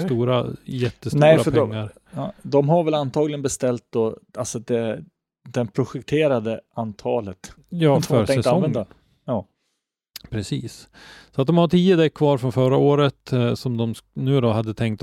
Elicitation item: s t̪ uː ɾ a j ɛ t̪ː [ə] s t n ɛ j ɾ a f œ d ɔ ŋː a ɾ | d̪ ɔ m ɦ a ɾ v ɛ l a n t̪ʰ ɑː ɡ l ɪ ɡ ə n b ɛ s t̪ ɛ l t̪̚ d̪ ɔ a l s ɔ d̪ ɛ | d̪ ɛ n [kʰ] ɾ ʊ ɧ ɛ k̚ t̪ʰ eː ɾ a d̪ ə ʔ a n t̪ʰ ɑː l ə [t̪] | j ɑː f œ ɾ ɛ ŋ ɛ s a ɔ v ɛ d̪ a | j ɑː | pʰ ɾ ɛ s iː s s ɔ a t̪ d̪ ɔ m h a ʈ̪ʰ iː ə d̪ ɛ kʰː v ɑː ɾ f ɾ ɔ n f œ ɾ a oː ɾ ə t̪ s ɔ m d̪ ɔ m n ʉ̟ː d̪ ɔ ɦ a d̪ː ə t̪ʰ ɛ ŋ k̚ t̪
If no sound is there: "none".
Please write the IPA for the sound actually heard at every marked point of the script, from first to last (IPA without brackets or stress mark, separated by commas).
ə, pʰ, t̪